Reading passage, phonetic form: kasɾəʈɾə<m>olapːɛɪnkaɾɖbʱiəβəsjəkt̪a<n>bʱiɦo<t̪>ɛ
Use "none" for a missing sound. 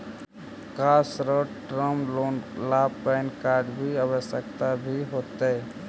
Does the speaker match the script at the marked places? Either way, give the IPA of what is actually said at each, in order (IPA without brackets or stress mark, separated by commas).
m, none, t̪